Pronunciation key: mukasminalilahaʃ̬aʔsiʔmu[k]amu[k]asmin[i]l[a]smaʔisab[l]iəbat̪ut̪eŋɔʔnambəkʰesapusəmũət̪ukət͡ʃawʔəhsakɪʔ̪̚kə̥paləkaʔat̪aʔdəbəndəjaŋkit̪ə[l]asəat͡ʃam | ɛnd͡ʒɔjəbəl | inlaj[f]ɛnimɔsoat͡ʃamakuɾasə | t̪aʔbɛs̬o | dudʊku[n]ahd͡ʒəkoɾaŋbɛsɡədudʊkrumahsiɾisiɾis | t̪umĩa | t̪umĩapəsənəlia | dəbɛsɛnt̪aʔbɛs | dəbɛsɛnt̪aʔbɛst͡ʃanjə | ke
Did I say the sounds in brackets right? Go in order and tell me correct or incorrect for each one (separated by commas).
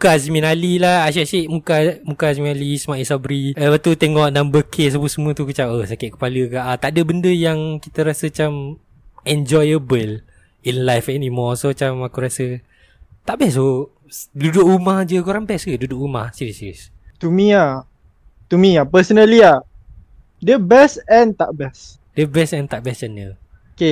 correct, correct, incorrect, incorrect, incorrect, incorrect, correct, incorrect